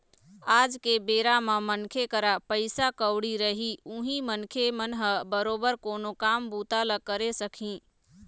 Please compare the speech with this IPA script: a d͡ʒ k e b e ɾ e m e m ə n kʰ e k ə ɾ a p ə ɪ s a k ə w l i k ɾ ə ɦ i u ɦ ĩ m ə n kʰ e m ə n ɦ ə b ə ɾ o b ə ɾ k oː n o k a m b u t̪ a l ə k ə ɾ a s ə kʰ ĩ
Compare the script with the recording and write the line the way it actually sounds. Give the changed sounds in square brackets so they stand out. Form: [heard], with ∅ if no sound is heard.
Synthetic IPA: a d͡ʒ k e b e ɾ [a] m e m ə n kʰ e k ə ɾ a p ə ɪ s a k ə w [ɽ] i [∅] ɾ ə ɦ i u ɦ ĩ m ə n kʰ e m ə n ɦ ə b ə ɾ o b ə ɾ k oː n o k a m b u t̪ a l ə k ə ɾ [e] s ə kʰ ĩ

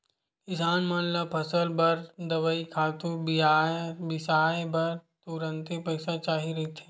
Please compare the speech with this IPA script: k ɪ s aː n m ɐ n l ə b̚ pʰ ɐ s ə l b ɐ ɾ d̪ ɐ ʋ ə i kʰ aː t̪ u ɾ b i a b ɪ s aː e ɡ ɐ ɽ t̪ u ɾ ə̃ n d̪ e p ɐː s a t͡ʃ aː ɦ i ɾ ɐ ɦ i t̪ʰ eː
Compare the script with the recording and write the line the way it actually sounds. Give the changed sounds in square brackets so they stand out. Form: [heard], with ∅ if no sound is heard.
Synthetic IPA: k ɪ s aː n m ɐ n l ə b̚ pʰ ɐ s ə l b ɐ ɾ d̪ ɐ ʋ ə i kʰ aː t̪ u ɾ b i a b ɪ s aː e [b] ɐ [ɾ] t̪ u ɾ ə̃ n [t̪] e p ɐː s a t͡ʃ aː ɦ i ɾ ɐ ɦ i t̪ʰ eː

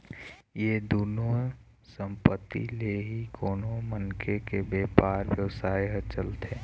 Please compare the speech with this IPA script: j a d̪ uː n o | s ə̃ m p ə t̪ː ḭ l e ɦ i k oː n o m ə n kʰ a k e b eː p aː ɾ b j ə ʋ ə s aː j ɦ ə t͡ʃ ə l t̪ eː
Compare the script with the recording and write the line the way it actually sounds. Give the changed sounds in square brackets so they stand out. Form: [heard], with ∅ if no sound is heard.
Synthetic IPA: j [e] d̪ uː n o | s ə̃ m p ə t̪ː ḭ l e ɦ i k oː n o m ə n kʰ [e] k e b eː p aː ɾ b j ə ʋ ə s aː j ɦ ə t͡ʃ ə l t̪ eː

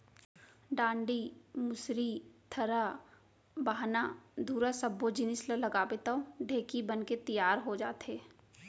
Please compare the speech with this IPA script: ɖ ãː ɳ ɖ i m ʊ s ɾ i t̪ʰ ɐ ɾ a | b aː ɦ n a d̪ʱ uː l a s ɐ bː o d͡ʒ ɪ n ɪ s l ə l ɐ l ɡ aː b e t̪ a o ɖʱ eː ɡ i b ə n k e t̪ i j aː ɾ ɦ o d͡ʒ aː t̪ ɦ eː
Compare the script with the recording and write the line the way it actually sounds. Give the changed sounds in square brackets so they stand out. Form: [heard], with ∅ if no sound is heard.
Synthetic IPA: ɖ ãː ɳ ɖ i m ʊ s ɾ i t̪ʰ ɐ ɾ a | b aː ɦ n a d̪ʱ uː [ɾ] a s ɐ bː o d͡ʒ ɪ n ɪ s l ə l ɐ [∅] ɡ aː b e t̪ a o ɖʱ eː [k] i b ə n k e t̪ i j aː ɾ ɦ o d͡ʒ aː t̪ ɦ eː

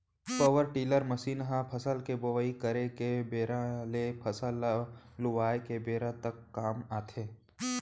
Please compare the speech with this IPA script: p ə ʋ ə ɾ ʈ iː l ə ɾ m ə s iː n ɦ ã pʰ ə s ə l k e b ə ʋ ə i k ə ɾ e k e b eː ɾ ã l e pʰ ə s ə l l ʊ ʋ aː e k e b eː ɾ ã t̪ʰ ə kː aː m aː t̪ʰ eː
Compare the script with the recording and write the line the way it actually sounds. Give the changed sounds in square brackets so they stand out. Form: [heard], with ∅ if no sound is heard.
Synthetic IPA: p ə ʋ ə ɾ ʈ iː l ə ɾ m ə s iː n ɦ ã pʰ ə s ə l k e b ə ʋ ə i k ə ɾ e k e b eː ɾ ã l e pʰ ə s ə l l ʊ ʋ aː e k e b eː ɾ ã [t̪] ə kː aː m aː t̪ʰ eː

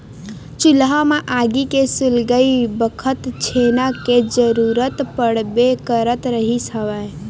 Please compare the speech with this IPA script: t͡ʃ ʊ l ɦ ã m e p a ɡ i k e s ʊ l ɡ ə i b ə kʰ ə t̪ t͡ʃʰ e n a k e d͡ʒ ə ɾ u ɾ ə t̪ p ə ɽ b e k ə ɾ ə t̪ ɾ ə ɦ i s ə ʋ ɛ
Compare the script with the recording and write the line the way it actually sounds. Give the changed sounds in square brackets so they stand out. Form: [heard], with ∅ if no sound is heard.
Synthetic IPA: t͡ʃ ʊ l ɦ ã m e [ʔ] a ɡ i k e s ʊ l ɡ ə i b ə kʰ ə t̪ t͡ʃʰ e n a k e d͡ʒ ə ɾ u ɾ ə t̪ p ə ɽ b e k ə ɾ ə t̪ ɾ ə ɦ i s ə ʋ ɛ

